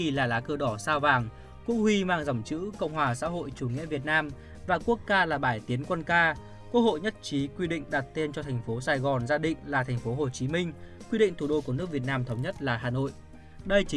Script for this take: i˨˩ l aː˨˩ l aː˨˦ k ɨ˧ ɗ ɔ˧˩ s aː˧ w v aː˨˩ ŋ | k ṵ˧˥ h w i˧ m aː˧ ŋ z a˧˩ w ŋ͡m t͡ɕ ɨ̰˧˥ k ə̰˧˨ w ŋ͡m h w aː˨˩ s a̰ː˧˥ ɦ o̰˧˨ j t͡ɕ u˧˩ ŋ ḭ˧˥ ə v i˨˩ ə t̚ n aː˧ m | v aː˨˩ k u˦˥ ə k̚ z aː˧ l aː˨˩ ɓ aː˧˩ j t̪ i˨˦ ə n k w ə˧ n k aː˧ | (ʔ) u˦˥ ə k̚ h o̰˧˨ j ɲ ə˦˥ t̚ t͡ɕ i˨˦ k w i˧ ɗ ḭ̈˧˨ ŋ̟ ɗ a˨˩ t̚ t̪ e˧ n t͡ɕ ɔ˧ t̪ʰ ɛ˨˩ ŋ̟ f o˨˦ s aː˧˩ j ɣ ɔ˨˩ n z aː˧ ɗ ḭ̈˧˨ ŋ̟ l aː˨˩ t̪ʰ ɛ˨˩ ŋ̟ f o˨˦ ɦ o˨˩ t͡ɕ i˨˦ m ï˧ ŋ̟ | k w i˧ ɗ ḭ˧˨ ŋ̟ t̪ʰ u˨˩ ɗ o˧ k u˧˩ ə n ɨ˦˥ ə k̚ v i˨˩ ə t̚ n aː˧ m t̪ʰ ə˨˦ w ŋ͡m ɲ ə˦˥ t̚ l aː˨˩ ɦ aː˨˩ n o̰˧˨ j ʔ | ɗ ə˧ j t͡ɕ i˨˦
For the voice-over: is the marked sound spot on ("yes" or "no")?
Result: no